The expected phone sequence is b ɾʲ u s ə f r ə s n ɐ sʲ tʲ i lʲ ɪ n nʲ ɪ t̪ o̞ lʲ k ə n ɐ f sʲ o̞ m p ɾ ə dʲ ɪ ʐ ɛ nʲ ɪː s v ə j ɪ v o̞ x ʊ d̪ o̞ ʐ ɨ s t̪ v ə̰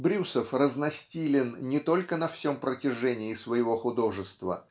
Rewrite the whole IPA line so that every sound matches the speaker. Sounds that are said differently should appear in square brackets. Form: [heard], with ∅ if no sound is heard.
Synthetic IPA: b ɾʲ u s ə f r ə [z] n ɐ sʲ tʲ i lʲ ɪ n nʲ ɪ t̪ o̞ lʲ k ə n ɐ f sʲ o̞ m p ɾ ə [tʲ] ɪ ʐ ɛ nʲ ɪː s v ə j ɪ v o̞ x ʊ d̪ o̞ ʐ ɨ s t̪ v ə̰